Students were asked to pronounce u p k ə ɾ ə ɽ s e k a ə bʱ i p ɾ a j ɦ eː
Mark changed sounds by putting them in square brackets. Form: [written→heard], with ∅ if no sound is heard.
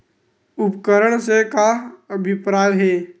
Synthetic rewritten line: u p k ə ɾ ə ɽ s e k a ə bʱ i p ɾ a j ɦ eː